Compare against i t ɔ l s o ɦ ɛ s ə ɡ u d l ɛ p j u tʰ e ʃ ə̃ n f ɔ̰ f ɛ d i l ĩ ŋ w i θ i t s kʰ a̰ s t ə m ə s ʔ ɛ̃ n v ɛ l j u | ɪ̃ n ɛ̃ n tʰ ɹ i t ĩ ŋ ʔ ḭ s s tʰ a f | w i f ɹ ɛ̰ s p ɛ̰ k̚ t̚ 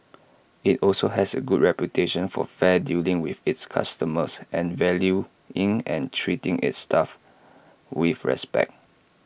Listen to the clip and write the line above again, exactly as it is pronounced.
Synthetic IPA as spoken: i t ɔ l s o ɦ ɛ s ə ɡ u d ɹ ɛ p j u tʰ e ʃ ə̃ n f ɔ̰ f ɛ d i l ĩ ŋ w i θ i t s kʰ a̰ s t ə m ə s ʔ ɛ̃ n v ɛ l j u | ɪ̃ ŋ ɛ̃ n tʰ ɹ i t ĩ ŋ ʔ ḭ t s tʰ a f | w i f ɹ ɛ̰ s p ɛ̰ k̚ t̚

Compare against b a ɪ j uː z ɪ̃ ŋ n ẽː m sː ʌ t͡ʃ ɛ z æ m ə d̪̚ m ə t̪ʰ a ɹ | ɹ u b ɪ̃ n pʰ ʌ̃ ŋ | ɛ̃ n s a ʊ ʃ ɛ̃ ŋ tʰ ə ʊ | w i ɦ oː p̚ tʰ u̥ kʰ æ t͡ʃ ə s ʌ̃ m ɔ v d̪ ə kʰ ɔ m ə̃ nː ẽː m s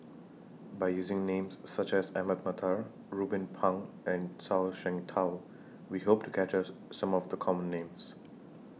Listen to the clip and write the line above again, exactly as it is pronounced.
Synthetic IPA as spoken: b a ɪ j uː z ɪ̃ ŋ n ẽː m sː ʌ t͡ʃ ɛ z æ m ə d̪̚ m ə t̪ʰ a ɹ | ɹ u b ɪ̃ n pʰ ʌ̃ ŋ | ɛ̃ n s a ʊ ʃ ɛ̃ ŋ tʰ a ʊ | w i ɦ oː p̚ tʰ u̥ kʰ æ t͡ʃ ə s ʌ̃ m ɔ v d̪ ə kʰ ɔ m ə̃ nː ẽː m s

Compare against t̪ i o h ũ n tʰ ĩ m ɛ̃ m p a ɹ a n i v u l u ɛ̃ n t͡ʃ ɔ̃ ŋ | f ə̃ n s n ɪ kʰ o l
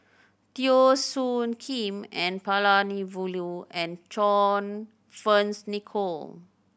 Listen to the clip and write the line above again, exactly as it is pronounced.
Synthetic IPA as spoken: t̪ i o s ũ n kʰ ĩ m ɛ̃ n p a l a n i v u l u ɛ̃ n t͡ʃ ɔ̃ n | f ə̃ n s n i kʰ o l

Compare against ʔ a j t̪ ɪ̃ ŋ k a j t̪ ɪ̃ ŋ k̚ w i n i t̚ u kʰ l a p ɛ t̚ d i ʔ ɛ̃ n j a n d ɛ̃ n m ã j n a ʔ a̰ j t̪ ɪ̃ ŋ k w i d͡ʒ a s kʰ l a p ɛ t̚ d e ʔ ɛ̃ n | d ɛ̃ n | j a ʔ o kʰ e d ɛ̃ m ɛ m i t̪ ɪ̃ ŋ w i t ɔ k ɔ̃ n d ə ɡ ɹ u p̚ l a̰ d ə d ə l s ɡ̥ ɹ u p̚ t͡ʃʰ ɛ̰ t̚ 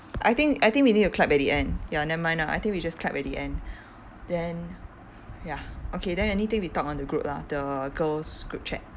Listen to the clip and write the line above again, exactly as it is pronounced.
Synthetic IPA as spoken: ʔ a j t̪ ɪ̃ ŋ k a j t̪ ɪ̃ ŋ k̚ w i n i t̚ u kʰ l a p ɛ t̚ d i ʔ ɛ̃ n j a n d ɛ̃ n m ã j n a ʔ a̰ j t̪ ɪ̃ ŋ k w i d͡ʒ a s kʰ l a p ɛ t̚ d i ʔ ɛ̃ n | d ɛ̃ n | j a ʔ o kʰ e d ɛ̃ n ɛ n i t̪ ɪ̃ ŋ w i t ɔ k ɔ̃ n d ə ɡ ɹ u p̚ l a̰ d ə ɡ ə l s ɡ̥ ɹ u p̚ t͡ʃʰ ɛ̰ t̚

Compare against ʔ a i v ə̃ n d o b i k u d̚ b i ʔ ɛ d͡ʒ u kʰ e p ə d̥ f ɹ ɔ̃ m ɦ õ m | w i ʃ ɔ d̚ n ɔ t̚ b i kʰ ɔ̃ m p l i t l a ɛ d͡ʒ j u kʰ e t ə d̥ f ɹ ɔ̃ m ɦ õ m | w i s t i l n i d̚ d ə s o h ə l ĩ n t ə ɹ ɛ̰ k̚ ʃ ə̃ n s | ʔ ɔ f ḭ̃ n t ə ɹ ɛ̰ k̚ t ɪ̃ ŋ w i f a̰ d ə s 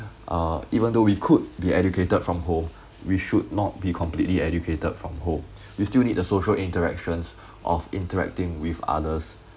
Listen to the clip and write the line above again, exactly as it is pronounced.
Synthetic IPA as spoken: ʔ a i v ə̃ n d o w i kʰ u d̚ b i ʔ ɛ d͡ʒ u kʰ e t ə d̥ f ɹ ɔ̃ m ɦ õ m | w i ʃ u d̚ n ɔ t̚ b i kʰ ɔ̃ m p l i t l i ɛ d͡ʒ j u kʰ e t ə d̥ f ɹ ɔ̃ m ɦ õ m | w i s t i l n i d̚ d ə s o ʃ ə l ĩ n t ə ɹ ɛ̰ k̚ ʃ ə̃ n s | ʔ ɔ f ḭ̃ n t ə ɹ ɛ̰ k̚ t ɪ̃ ŋ w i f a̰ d ə s

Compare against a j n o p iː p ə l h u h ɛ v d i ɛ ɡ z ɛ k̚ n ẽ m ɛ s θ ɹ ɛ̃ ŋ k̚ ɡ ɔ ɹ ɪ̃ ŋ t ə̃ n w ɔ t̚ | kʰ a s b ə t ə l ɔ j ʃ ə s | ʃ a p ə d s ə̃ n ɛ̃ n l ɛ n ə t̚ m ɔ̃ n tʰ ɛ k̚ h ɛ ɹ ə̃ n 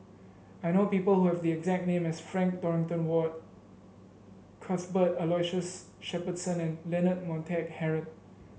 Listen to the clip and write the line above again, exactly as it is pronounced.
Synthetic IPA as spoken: a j n o p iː p ə l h u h ɛ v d i ɛ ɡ z ɛ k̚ n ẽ m ɛ s f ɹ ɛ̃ ŋ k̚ d ɔ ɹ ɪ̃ ŋ t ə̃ n w ɔ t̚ | kʰ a s b ə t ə l ɔ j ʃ ə s | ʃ ɛ p ə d s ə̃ n ɛ̃ n l ɛ n ə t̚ m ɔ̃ n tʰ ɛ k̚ h ɛ ɹ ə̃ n

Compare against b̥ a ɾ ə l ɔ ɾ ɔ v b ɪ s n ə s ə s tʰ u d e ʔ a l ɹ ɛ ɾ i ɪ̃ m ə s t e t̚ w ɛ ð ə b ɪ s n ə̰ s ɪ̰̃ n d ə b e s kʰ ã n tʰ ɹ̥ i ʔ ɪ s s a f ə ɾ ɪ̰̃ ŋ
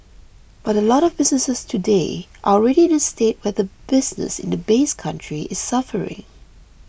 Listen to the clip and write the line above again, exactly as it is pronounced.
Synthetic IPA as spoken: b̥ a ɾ ə l ɔ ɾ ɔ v b ɪ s n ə s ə s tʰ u d e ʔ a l ɹ ɛ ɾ i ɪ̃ n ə s t e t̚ w ɛ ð ə b ɪ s n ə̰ s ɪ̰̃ n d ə b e s kʰ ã n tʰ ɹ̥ i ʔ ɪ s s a f ə ɹ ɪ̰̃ ŋ

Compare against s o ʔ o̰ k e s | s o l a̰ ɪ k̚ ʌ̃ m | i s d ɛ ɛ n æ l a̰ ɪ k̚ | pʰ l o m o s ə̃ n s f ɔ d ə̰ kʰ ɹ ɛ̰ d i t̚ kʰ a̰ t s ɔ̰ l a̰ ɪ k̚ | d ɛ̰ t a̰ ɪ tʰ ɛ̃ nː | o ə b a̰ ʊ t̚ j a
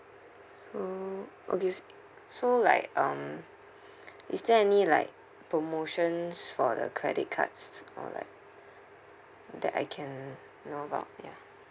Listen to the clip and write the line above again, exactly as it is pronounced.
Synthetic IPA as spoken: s o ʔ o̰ k e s | s o l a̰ ɪ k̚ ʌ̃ m | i s d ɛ ɛ n i l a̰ ɪ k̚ | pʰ ɹ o m o ʃ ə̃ n s f ɔ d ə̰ kʰ ɹ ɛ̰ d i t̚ kʰ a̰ t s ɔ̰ l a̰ ɪ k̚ | d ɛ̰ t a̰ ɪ kʰ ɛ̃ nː | o ə b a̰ ʊ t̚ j a

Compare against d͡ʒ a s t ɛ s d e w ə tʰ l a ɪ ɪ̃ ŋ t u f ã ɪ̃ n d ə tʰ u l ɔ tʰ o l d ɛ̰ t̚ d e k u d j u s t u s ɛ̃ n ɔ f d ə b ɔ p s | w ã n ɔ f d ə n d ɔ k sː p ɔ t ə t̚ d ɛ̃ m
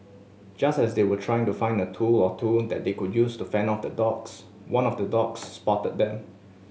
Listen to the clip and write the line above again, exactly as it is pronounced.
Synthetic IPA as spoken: d͡ʒ a s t ɛ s d e w ə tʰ ɹ a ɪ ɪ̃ ŋ t u f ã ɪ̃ n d ə tʰ u l ɔ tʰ u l d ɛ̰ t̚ d e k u d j u s t u f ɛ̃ n ɔ f d ə d ɔ k s | w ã n ɔ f d ə d ɔ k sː p ɔ t ə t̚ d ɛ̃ m

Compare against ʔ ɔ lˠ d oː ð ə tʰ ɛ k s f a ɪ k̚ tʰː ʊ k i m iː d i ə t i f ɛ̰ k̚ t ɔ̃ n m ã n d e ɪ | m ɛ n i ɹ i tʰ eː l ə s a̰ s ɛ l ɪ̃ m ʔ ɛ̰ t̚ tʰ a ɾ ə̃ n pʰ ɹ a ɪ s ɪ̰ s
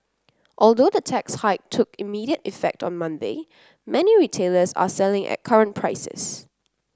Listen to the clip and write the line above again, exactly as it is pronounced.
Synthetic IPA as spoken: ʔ ɔ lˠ d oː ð ə tʰ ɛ k s h a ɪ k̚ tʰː ʊ k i m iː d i ə t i f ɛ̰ k̚ t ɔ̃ n m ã n d e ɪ | m ɛ n i ɹ i tʰ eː l ə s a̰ s ɛ l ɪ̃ ŋ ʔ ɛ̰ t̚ kʰ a ɹ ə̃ n pʰ ɹ a ɪ s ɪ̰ s

